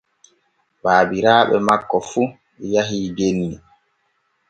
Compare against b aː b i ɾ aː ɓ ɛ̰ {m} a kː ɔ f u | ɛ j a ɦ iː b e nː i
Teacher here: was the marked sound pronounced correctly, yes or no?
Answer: yes